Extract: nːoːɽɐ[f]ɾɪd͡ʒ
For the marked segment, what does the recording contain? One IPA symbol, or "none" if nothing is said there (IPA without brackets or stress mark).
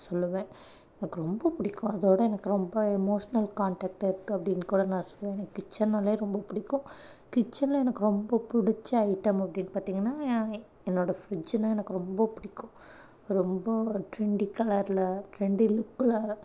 f